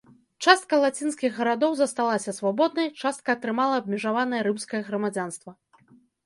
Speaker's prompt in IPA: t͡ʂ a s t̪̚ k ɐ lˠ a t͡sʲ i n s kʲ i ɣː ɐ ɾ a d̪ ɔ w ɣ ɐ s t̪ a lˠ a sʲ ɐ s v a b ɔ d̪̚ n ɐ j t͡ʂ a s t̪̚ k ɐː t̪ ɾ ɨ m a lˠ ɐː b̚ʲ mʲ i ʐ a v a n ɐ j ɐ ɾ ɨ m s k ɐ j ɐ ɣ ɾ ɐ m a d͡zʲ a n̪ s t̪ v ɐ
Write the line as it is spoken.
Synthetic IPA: t͡ʂ a s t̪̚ k ɐ lˠ a t͡sʲ i n s kʲ i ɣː ɐ ɾ a d̪ ɔ w z ɐ s t̪ a lˠ a sʲ ɐ s v a b ɔ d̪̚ n ɐ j t͡ʂ a s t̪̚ k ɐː t̪ ɾ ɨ m a lˠ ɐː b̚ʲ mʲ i ʐ a v a n ɐ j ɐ ɾ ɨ m s k ɐ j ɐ ɣ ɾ ɐ m a d͡zʲ a n̪ s t̪ v ɐ